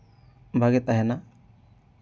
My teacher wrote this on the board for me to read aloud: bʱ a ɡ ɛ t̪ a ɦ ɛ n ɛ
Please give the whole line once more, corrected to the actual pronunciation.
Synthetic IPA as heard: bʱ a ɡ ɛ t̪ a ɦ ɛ n a